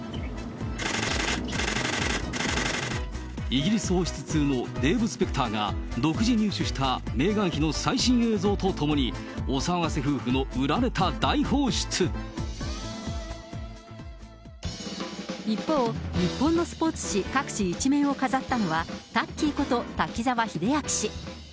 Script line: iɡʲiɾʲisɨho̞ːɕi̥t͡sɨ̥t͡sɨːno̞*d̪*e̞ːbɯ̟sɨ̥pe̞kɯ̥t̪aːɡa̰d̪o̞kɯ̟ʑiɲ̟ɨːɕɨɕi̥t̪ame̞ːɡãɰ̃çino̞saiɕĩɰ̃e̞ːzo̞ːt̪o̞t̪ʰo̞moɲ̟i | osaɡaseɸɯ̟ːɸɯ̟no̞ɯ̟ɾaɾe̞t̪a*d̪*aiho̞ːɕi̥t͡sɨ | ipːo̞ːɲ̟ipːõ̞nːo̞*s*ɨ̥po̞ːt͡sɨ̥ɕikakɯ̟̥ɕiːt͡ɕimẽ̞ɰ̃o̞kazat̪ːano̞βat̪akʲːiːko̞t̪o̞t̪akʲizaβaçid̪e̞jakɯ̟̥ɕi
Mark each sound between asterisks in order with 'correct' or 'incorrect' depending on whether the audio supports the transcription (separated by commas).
correct, correct, correct